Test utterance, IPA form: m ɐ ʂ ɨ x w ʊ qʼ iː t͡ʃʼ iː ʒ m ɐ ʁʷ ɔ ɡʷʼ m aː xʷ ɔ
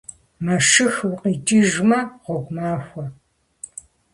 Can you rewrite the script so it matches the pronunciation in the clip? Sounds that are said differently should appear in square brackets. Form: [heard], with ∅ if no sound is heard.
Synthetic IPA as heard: m ɐ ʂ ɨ x w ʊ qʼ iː t͡ʃʼ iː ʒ m ɐ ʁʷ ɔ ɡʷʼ m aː xʷ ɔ